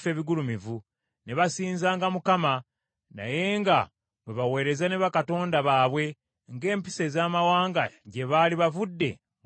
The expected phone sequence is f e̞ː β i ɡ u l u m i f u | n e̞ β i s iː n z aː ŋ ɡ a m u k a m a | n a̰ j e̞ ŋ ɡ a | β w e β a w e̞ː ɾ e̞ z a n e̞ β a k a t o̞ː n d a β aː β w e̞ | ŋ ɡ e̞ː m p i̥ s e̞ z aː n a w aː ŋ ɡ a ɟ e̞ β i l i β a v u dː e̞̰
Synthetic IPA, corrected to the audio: f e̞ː β i ɡ u l u m i v u | n e̞ β a s iː n z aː ŋ ɡ a m u k a m a | n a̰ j e̞ ŋ ɡ a | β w e β a w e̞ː ɾ e̞ z a n e̞ β a k a t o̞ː n d a β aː β w e̞ | ŋ ɡ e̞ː m p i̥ s e̞ z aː m a w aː ŋ ɡ a ɟ e̞ β a l i β a v u dː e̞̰